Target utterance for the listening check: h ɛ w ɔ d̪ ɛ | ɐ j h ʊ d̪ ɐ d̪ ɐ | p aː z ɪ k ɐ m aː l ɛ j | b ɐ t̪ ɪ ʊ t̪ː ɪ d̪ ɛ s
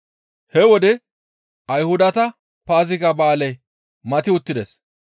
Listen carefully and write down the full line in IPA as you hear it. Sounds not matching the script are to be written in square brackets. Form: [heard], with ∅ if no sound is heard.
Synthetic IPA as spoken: h ɛ w ɔ d̪ ɛ | ɐ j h ʊ d̪ ɐ [t̪] ɐ | p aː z ɪ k ɐ [b] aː l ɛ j | [m] ɐ t̪ ɪ ʊ t̪ː ɪ d̪ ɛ s